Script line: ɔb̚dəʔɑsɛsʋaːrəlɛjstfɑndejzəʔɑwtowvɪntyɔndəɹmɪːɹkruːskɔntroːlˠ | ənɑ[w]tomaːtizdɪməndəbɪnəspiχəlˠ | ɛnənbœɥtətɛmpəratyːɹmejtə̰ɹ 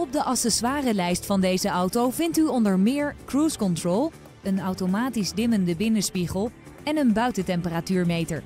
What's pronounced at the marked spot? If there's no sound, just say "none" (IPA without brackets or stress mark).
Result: w